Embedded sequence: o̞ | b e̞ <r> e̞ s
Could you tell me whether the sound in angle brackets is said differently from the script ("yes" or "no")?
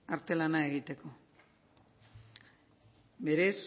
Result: yes